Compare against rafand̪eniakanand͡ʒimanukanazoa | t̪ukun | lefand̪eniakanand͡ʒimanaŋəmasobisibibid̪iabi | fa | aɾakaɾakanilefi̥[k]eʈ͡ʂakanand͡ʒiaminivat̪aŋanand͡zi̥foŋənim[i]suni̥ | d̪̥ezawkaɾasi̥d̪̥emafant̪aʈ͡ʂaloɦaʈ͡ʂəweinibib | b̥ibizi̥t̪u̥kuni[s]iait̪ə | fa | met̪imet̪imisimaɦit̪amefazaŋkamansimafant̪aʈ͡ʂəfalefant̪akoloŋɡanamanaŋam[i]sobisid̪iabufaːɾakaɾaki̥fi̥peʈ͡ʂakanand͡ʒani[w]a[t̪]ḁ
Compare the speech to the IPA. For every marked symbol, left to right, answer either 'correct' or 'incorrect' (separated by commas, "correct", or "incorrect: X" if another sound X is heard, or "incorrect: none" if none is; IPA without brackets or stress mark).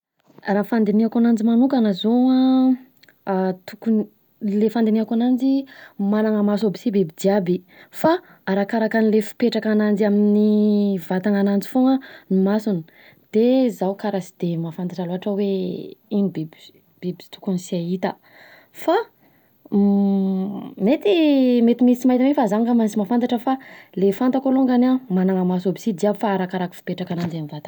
incorrect: p, incorrect: a, correct, incorrect: a, incorrect: v, correct